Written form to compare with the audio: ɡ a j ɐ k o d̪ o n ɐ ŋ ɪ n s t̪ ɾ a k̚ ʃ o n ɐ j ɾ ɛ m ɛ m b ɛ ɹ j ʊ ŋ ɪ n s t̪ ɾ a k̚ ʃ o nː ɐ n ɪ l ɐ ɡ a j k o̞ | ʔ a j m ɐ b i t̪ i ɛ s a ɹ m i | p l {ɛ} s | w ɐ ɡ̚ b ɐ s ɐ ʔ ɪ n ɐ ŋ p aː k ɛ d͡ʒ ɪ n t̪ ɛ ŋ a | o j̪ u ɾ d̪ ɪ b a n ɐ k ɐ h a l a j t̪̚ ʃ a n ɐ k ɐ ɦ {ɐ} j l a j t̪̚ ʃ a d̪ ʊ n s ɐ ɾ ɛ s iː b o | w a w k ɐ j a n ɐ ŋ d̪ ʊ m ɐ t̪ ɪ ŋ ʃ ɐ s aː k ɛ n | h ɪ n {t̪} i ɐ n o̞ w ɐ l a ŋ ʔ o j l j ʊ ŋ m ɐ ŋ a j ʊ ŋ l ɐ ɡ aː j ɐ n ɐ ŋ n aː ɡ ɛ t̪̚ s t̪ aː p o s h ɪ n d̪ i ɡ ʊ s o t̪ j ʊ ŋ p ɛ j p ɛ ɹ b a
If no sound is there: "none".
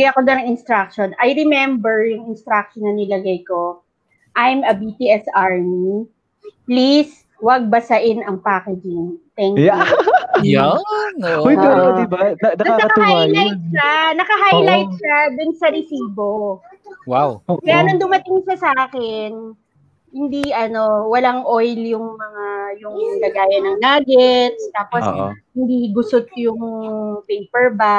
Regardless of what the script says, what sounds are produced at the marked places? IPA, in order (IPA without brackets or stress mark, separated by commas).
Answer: i, a, d̪